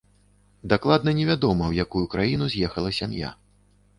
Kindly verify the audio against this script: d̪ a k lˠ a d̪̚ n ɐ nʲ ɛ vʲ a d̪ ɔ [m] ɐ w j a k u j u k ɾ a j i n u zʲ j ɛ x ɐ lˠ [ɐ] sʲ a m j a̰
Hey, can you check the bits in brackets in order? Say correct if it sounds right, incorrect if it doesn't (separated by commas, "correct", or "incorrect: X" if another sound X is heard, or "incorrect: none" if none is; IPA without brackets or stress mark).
correct, correct